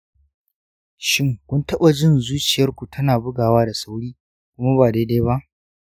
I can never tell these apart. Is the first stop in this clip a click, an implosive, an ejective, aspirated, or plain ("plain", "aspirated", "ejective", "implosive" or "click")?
plain